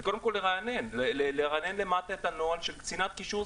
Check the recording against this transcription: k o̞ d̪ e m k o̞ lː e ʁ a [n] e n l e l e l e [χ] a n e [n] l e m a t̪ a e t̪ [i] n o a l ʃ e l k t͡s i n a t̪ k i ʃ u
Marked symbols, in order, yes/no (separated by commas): yes, no, yes, no